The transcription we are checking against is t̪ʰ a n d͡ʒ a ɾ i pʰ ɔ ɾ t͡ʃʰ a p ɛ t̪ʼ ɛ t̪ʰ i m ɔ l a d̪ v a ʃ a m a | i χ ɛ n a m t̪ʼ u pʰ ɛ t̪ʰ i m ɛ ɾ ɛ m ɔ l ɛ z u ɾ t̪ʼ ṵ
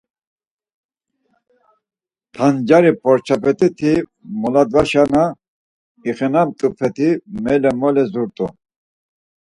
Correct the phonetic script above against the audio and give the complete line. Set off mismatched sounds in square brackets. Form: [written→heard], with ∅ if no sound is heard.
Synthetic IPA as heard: t̪ʰ a n d͡ʒ a ɾ i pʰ ɔ ɾ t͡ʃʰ a p ɛ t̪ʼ [ɛ→i] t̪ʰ i m ɔ l a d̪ v a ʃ a [m→n] a | i χ ɛ n a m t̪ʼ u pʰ ɛ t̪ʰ i m ɛ [ɾ→l] ɛ m ɔ l ɛ z u ɾ t̪ʼ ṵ